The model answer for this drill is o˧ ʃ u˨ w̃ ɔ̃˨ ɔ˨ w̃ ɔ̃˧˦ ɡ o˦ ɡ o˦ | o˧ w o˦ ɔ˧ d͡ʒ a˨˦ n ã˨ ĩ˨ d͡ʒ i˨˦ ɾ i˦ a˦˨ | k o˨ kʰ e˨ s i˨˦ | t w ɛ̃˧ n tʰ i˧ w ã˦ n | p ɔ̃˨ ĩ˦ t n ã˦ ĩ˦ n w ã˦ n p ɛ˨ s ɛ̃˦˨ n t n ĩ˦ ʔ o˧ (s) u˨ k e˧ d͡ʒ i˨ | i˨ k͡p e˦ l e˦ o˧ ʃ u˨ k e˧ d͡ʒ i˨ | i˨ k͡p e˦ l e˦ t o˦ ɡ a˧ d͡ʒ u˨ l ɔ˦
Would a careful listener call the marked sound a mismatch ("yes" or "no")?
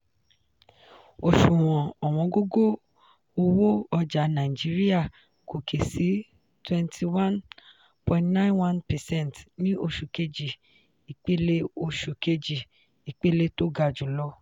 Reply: yes